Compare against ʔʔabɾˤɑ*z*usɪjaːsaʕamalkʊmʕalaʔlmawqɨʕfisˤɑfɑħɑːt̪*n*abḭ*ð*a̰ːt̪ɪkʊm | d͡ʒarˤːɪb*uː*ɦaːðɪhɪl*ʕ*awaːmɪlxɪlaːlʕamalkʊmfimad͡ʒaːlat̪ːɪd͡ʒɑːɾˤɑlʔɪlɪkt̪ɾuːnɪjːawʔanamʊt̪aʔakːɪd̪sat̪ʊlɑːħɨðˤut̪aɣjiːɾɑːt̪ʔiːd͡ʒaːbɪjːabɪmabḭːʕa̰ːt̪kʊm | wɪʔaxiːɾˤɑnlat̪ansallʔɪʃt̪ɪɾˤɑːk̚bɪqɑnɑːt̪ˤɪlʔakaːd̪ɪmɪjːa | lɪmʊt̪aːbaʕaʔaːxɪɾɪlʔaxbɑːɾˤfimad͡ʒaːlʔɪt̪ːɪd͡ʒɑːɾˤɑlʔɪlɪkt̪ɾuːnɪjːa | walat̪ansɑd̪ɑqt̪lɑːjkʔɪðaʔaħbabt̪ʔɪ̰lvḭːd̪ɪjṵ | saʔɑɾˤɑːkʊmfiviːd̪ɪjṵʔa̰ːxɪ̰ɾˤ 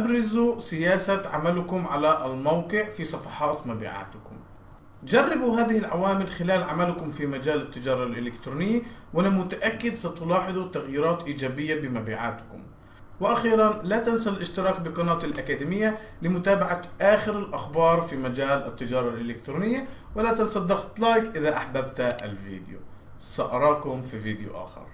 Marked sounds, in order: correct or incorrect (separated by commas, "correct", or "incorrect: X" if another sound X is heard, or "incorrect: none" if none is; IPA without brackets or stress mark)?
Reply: correct, incorrect: m, incorrect: ʕ, incorrect: u, correct